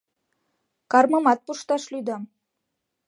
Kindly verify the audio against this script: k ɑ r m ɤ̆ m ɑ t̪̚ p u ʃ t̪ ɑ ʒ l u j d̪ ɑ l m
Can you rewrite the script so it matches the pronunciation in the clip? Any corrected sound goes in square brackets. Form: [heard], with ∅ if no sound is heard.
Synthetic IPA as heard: k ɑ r m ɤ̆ m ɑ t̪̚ p u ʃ t̪ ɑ [ʃ] l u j d̪ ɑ [∅] m